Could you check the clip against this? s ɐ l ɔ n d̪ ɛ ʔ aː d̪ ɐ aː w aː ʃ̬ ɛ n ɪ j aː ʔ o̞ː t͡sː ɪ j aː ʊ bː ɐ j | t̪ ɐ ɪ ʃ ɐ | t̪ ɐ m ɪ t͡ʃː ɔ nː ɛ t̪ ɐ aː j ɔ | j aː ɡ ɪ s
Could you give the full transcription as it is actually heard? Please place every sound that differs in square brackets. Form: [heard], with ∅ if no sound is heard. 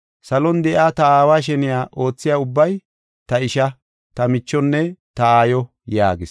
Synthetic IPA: s ɐ l ɔ n d̪ ɛ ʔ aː [t̪] ɐ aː w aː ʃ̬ ɛ n ɪ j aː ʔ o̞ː t͡sː ɪ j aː ʊ bː ɐ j | t̪ ɐ ɪ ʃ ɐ | t̪ ɐ m ɪ t͡ʃː ɔ nː ɛ t̪ ɐ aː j ɔ | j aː ɡ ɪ s

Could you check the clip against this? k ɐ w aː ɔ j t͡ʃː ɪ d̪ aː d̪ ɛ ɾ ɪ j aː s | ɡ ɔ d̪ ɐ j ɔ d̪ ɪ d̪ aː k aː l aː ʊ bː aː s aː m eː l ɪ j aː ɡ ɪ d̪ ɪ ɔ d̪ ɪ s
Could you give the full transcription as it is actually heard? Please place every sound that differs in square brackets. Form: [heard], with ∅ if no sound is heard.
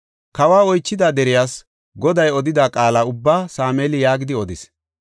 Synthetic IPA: k ɐ w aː ɔ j t͡ʃː ɪ d̪ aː d̪ ɛ ɾ ɪ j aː s | ɡ ɔ d̪ ɐ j ɔ d̪ ɪ d̪ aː [kʼ] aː l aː ʊ bː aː s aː m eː l ɪ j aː ɡ ɪ d̪ ɪ ɔ d̪ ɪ s

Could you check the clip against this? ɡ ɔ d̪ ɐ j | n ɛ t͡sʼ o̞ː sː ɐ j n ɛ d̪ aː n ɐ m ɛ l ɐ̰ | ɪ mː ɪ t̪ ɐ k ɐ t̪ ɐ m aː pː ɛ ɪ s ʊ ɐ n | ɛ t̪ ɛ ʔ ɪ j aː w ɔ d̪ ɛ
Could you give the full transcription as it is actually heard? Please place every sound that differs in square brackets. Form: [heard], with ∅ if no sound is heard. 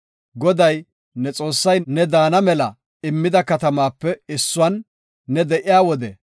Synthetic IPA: ɡ ɔ d̪ ɐ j | n ɛ t͡sʼ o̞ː sː ɐ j n ɛ d̪ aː n ɐ m ɛ l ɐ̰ | ɪ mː ɪ [d̪] ɐ k ɐ t̪ ɐ m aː pː ɛ ɪ [sː] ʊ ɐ [nː] | ɛ [d̪] ɛ ʔ ɪ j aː w ɔ d̪ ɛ

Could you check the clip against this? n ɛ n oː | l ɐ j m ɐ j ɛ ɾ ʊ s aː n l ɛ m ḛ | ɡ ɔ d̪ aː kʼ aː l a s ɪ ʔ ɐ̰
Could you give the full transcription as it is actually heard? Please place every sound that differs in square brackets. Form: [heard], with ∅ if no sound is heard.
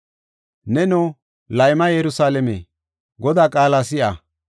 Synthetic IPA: n ɛ n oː | l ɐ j m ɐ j ɛ ɾ ʊ s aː [∅] l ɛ m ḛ | ɡ ɔ d̪ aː kʼ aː l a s ɪ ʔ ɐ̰

